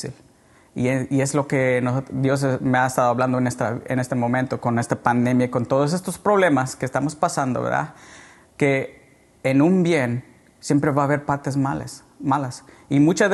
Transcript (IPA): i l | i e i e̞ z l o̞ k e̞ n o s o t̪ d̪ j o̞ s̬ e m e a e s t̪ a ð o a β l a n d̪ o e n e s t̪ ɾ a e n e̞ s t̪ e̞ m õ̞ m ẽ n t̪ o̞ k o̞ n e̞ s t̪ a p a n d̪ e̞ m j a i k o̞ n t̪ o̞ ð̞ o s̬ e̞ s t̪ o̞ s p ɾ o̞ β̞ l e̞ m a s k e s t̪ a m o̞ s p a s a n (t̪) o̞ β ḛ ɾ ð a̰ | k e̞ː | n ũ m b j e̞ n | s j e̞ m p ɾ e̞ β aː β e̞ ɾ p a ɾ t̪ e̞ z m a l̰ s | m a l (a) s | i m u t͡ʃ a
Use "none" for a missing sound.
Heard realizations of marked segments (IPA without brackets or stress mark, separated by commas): d̪, a